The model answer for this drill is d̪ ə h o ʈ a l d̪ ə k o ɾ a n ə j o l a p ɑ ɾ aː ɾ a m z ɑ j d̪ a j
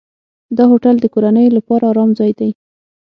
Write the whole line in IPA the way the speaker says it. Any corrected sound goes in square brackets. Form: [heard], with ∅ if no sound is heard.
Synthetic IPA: d̪ [ɑ] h o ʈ a l d̪ ə k o ɾ a n ə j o l a p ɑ ɾ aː ɾ [ɑ] m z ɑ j d̪ a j